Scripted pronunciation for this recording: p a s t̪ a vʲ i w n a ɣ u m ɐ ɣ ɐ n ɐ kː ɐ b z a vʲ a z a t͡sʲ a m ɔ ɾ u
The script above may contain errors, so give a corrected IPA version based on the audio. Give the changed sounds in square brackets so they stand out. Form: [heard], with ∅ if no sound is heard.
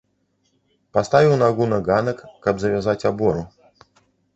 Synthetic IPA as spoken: p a s t̪ a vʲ i w n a ɣ u [n] ɐ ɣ [a] n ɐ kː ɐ b z [ɐ] vʲ a z a t͡sʲ a [b] ɔ ɾ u

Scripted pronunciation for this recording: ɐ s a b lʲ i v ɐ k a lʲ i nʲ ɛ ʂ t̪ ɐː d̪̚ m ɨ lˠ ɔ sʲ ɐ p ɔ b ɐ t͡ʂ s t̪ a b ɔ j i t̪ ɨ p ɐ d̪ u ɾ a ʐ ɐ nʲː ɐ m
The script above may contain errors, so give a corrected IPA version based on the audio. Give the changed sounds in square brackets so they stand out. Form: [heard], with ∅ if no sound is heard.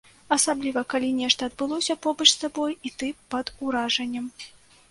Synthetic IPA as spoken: ɐ s a b lʲ i v ɐ k a lʲ i nʲ ɛ ʂ t̪ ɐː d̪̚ [b] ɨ lˠ ɔ sʲ ɐ p ɔ b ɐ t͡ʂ s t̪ a b ɔ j i t̪ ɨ p ɐ d̪ u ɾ a ʐ ɐ nʲː ɐ m

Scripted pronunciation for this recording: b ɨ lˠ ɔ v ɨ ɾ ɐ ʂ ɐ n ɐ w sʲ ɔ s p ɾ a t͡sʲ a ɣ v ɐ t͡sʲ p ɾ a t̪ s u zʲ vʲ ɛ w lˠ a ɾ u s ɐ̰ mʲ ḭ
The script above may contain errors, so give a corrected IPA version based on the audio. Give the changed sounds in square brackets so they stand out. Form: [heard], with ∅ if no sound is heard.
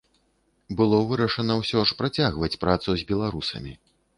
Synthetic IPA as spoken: b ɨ lˠ ɔ v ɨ ɾ ɐ ʂ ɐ n ɐ w sʲ ɔ [ʂ] p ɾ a t͡sʲ a ɣ v ɐ t͡sʲ p ɾ a t̪ s u zʲ [bʲ] ɛ [∅] lˠ a ɾ u s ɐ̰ mʲ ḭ

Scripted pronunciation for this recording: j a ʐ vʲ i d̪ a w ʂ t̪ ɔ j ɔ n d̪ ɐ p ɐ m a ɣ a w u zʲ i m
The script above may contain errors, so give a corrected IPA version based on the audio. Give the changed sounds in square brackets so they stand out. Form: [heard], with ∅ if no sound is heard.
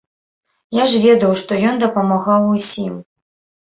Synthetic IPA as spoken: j a ʐ vʲ [ɛ] d̪ [ɐ] w ʂ t̪ ɔ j ɔ n d̪ ɐ p ɐ m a ɣ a w u [sʲ] i m

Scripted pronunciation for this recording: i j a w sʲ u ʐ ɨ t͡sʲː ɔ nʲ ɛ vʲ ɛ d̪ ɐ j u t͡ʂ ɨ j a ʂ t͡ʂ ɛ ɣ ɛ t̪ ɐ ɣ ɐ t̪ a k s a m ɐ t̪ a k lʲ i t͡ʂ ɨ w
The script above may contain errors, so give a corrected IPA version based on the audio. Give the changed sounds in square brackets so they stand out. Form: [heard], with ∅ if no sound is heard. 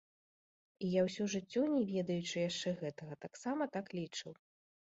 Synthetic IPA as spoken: i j a w sʲ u ʐ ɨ t͡sʲː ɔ nʲ ɛ vʲ ɛ d̪ ɐ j u t͡ʂ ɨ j a ʂ t͡ʂ ɛ ɣ ɛ t̪ ɐ ɣ ɐ t̪ a k s a m ɐ t̪ a k lʲ i t͡ʂ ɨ w

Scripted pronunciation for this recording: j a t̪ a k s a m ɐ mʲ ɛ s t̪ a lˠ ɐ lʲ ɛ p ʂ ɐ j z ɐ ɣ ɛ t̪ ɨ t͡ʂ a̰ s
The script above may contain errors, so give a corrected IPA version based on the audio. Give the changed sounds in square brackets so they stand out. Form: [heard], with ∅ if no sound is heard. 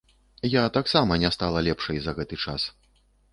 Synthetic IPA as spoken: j a t̪ a k s a m ɐ [nʲ] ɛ s t̪ a lˠ ɐ lʲ ɛ p ʂ ɐ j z ɐ ɣ ɛ t̪ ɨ t͡ʂ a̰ s

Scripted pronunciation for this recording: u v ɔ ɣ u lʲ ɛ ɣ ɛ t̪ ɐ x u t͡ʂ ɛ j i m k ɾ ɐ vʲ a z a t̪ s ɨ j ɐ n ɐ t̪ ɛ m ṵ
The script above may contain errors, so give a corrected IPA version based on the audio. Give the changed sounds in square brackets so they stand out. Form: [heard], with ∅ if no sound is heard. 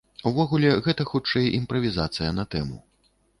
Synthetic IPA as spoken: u v ɔ ɣ u lʲ ɛ ɣ ɛ t̪ ɐ x u t͡ʂ ɛ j i m [p] ɾ ɐ vʲ [i] z a t̪ s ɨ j ɐ n ɐ t̪ ɛ m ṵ

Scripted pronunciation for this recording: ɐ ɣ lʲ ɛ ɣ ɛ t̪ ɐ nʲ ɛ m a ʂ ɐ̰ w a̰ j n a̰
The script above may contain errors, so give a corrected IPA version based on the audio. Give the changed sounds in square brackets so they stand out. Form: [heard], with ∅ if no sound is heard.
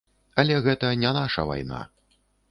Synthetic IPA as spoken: ɐ [∅] lʲ ɛ ɣ ɛ t̪ ɐ nʲ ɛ [n] a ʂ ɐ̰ [v] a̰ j n a̰

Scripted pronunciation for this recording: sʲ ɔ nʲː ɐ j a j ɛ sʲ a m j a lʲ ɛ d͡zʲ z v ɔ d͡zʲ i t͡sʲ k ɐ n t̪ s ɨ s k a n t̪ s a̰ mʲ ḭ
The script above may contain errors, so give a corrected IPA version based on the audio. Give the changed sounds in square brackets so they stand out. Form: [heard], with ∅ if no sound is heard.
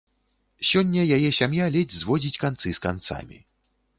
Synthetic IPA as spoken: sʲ ɔ nʲː ɐ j a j ɛ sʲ a m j a lʲ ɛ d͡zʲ z v ɔ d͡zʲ i t͡sʲ k [a] n t̪ s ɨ s k a n t̪ s a̰ mʲ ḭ

